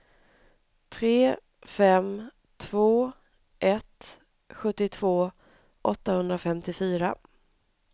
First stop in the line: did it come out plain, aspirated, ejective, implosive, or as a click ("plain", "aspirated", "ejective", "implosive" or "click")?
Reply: aspirated